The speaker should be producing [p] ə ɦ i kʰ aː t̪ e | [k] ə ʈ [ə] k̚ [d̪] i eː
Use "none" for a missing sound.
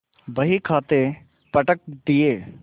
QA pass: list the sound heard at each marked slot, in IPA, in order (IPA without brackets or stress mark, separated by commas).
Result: b, p, ə, d̪